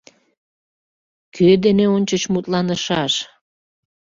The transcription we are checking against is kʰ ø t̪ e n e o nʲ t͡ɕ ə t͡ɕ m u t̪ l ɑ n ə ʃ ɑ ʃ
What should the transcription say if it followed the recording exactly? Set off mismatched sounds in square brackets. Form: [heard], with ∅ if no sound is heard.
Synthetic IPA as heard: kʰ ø [d̪] e n e o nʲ t͡ɕ ə t͡ɕ m u t̪ l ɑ n ə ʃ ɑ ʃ